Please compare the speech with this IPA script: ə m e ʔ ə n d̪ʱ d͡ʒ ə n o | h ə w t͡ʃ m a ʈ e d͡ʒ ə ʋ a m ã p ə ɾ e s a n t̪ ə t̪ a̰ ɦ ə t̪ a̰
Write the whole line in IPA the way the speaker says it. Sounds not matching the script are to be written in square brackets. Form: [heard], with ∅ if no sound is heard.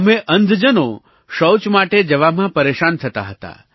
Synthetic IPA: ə m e ʔ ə n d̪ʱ d͡ʒ ə n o | [ʃ] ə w t͡ʃ m a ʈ e d͡ʒ ə ʋ a m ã p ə ɾ e [ʃ] a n [t̪ʰ] ə t̪ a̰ ɦ ə t̪ a̰